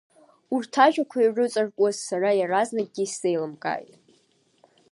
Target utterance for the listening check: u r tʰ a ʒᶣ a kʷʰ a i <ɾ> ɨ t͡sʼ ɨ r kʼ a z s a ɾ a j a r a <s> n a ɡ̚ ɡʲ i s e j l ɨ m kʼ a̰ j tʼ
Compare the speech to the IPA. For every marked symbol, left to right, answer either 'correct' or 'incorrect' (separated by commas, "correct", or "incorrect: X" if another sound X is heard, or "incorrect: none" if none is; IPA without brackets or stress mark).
incorrect: r, incorrect: z